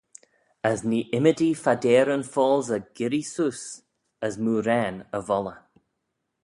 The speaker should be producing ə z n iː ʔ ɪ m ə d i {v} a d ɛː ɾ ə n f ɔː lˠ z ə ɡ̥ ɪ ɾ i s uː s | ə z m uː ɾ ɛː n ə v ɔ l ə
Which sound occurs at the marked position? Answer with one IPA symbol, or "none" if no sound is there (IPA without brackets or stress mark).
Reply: f